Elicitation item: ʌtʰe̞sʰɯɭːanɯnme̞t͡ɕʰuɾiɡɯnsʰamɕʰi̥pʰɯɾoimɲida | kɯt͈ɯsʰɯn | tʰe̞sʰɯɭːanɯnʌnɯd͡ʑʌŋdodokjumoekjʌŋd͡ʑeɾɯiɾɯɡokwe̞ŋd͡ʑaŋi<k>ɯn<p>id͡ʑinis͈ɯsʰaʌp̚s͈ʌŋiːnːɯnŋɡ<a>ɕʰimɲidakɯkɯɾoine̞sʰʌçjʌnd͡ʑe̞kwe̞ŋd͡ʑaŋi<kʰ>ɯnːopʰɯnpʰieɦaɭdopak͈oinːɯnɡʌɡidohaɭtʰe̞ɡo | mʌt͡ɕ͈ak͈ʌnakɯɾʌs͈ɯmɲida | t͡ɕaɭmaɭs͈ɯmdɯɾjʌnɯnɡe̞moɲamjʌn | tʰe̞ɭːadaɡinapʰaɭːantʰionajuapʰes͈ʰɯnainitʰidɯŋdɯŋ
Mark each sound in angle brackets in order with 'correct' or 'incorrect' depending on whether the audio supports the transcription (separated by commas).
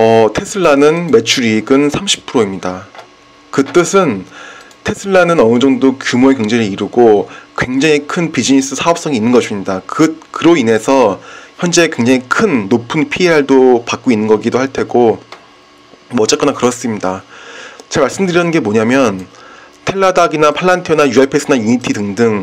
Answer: incorrect, correct, incorrect, correct